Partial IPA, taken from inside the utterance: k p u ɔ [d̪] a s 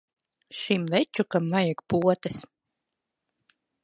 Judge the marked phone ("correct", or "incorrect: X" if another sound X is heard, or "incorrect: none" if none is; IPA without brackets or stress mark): incorrect: t̪